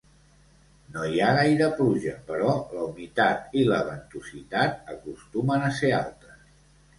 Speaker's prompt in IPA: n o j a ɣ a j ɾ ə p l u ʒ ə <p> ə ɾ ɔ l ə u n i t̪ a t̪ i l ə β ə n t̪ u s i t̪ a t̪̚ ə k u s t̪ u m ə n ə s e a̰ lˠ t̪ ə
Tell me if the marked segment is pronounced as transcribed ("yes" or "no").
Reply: yes